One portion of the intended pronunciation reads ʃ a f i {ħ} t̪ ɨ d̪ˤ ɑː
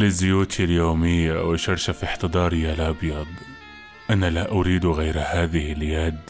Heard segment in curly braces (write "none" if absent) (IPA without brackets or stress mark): ħ